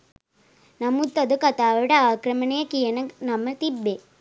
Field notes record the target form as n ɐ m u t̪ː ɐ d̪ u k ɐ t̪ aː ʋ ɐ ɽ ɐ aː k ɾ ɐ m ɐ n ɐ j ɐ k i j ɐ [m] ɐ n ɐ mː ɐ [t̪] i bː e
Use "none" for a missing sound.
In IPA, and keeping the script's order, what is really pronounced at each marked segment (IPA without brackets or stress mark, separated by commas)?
n, t̪